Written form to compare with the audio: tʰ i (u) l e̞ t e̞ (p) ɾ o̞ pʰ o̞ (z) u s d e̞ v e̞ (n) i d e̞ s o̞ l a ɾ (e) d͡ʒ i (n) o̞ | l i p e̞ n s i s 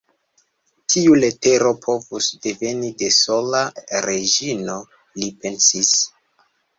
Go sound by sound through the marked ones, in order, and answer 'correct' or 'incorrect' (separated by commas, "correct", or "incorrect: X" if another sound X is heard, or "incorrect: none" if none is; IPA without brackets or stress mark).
correct, incorrect: none, incorrect: v, correct, correct, correct